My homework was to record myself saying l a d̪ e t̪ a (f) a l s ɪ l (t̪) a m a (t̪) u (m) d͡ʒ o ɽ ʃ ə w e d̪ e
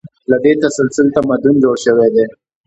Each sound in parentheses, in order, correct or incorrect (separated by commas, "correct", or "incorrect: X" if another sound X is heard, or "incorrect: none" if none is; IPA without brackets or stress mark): incorrect: s, correct, incorrect: d̪, incorrect: n